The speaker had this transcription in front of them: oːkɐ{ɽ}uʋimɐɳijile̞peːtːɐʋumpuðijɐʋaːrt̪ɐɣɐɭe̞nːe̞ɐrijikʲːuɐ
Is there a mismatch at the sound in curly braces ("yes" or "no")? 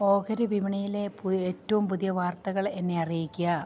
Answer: yes